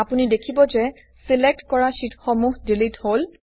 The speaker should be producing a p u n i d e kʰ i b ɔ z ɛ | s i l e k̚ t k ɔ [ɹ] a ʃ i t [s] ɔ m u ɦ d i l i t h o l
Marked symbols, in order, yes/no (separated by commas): yes, no